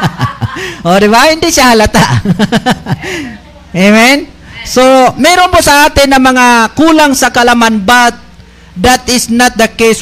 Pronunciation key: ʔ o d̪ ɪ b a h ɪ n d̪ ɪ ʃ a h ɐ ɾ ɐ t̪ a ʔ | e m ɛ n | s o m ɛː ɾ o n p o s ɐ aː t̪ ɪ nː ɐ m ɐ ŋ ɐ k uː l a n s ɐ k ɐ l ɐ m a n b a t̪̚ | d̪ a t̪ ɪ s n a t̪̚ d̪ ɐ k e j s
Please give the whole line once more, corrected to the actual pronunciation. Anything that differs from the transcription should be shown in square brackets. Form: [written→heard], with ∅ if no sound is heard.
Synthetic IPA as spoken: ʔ o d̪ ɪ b a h ɪ n d̪ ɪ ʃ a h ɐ [ɾ→l] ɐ t̪ a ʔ | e m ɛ n | s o m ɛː ɾ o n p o s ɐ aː t̪ ɪ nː ɐ m ɐ ŋ [ɐ→a] k uː l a [n→ŋ] s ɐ k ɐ l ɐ m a n b a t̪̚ | d̪ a t̪ ɪ s n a t̪̚ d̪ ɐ k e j s